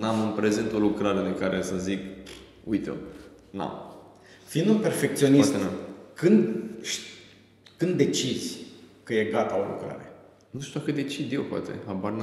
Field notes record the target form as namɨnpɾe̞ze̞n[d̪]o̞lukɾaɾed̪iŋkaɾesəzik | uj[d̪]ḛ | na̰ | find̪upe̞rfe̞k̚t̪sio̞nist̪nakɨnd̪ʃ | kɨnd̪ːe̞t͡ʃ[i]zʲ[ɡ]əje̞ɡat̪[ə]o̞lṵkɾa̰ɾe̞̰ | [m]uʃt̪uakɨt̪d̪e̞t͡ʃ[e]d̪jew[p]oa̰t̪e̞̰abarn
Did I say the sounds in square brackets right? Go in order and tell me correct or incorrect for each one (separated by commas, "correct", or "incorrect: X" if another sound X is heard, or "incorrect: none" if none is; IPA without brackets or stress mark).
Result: incorrect: t̪, incorrect: t̪, correct, incorrect: k, incorrect: a, incorrect: n, incorrect: i, correct